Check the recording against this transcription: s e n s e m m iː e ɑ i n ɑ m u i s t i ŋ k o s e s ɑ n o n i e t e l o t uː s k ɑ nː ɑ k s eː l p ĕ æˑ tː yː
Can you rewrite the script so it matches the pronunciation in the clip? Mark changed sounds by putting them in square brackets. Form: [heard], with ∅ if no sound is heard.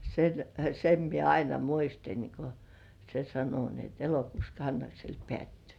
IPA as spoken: s e n s e m m [i] e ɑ i n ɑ m u i s t i [n] k o s e s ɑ n o n i e t e l o [k] uː s k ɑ nː ɑ k s [e] l p ĕ æˑ tː yː